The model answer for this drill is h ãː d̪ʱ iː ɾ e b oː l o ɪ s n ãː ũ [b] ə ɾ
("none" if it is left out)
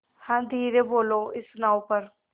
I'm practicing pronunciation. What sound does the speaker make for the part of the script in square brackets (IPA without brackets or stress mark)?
p